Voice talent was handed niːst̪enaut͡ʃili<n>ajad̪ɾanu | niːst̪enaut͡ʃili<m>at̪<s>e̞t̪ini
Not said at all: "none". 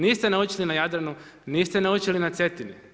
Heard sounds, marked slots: n, n, s

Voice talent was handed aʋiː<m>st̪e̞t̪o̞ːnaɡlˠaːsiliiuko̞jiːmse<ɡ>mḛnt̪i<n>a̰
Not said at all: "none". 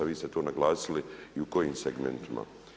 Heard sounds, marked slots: none, ɡ, m

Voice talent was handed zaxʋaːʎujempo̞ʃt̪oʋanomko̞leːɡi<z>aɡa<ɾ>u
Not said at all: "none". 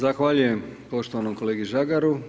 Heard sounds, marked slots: ʒ, ɾ

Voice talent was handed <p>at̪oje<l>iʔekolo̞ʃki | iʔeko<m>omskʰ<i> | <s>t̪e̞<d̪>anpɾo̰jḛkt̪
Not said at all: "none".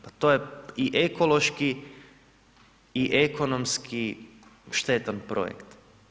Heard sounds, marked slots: p, none, n, i, ʃ, t̪

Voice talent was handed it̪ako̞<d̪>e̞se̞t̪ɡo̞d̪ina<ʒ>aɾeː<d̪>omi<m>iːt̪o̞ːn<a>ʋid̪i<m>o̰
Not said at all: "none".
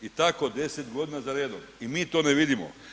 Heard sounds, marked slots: d̪, z, d̪, m, e, m

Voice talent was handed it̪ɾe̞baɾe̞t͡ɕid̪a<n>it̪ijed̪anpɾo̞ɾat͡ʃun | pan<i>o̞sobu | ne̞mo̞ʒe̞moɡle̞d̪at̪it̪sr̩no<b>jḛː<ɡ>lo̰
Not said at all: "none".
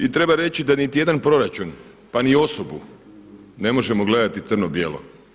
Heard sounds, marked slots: n, i, b, none

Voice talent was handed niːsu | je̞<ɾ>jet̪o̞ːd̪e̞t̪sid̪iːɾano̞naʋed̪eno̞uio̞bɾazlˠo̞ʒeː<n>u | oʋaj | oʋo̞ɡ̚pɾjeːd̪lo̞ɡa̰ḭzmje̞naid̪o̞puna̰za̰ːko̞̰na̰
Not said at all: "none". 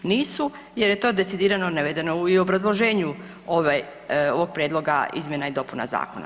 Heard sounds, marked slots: ɾ, ɲ

